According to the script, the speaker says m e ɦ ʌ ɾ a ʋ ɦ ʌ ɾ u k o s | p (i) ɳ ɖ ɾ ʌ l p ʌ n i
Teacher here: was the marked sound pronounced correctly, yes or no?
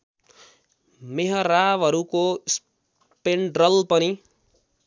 no